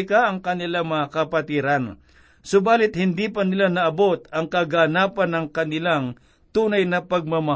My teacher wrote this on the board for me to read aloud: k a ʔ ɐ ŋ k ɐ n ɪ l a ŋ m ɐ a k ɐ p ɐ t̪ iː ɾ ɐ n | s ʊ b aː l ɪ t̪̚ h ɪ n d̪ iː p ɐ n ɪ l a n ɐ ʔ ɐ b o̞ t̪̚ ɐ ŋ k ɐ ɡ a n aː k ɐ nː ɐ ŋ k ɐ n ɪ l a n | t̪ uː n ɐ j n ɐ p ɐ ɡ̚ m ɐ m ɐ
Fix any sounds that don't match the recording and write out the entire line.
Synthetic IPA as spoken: k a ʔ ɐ ŋ k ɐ n ɪ l a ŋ m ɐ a k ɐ p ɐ t̪ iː ɾ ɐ n | s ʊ b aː l ɪ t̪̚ h ɪ n d̪ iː p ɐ n ɪ l a n ɐ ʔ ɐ b o̞ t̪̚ ɐ ŋ k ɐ ɡ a n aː p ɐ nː ɐ ŋ k ɐ n ɪ l a ŋ | t̪ uː n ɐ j n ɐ p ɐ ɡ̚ m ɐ m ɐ